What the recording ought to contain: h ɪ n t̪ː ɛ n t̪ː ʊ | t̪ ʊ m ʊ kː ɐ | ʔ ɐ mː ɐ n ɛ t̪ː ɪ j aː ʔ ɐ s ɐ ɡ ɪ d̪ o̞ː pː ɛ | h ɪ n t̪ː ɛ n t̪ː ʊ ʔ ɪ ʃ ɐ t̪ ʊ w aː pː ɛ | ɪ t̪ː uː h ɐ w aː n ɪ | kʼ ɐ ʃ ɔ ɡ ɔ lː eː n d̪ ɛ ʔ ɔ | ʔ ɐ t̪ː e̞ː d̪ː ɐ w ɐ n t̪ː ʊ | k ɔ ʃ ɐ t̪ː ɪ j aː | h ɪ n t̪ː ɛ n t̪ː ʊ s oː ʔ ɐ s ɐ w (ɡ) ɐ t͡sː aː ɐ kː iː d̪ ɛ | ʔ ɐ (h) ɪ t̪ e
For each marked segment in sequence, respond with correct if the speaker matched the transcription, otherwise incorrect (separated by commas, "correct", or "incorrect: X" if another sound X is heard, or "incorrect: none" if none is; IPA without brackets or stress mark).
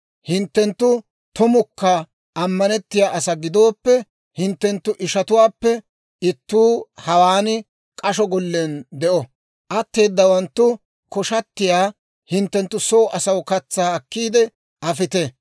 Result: incorrect: k, incorrect: f